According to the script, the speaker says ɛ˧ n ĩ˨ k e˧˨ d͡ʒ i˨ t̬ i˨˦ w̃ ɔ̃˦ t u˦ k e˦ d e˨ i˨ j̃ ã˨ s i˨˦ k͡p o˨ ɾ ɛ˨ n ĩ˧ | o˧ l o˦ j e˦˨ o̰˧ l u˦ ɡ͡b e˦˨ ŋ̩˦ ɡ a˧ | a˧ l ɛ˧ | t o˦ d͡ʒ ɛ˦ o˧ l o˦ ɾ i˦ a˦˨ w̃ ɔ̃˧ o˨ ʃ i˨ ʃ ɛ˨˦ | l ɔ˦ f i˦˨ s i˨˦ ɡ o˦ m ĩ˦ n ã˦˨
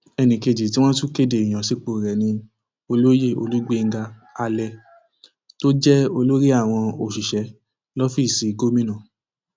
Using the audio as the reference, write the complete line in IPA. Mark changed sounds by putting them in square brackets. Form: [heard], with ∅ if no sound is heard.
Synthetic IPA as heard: ɛ˧ n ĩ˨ k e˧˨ d͡ʒ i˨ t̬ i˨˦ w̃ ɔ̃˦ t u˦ k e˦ d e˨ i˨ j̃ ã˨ s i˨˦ k͡p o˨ ɾ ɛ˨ n ĩ˧ | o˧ l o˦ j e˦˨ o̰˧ l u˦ ɡ͡b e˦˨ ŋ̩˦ ɡ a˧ | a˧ l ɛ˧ | t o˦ d͡ʒ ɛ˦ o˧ l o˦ ɾ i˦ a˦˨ w̃ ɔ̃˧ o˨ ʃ i˨ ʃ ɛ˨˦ | l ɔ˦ f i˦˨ s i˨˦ ɡ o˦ m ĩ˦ n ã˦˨